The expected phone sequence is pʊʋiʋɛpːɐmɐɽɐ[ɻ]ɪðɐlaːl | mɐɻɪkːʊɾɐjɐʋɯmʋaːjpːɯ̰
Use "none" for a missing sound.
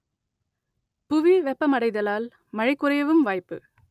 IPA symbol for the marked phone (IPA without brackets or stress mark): none